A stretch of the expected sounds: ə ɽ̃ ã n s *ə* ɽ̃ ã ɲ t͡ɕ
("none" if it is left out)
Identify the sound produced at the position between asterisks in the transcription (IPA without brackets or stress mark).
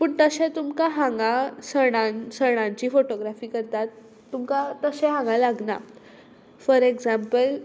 ə